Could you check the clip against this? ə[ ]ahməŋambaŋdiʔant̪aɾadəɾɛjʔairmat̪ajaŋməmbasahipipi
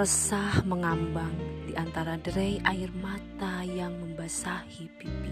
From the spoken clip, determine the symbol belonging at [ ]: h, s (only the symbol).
s